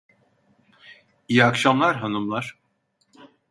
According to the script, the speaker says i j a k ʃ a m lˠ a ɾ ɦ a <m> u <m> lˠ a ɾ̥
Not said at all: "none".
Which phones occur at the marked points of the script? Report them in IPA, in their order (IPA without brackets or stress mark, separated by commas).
n, m